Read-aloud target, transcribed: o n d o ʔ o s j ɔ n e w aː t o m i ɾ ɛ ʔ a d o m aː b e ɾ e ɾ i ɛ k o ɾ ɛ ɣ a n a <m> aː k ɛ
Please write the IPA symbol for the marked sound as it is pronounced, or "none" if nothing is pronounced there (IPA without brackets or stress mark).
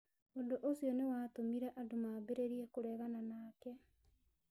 n